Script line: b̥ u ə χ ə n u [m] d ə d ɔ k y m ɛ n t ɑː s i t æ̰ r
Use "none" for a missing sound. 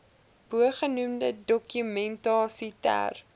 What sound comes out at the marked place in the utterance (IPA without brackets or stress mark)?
m